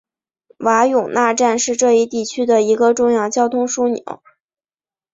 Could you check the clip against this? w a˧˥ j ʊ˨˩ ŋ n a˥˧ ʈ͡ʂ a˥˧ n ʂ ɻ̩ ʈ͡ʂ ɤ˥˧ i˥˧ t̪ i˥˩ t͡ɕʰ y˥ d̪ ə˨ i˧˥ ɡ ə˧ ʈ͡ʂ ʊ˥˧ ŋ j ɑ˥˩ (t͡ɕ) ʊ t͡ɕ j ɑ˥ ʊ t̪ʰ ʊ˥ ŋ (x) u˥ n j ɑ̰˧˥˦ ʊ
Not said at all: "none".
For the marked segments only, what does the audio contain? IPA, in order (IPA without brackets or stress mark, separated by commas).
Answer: none, ʂ